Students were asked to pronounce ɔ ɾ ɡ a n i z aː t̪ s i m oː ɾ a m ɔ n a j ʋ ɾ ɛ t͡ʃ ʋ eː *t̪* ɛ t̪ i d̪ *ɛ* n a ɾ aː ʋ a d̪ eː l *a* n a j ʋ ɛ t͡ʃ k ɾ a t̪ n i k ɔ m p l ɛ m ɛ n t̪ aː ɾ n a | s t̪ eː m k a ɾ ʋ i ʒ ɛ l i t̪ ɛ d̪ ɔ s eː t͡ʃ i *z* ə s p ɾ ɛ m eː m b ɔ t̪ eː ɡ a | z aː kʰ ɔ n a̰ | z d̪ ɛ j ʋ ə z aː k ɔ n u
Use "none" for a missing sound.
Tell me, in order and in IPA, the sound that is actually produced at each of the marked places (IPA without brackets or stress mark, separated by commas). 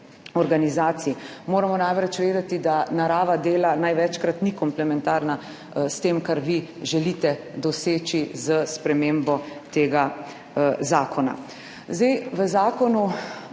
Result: d̪, a, a, z